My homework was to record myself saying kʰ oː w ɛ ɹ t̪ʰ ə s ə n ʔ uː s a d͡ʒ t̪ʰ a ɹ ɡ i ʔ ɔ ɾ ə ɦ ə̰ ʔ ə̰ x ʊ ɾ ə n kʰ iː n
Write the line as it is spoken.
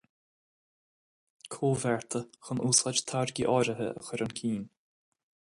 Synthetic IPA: kʰ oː v ɛ ɹ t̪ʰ ə x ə n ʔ uː s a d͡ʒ t̪ʰ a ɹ ɡ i ʔ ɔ ɾ ə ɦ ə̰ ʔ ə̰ x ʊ ɾ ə n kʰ iː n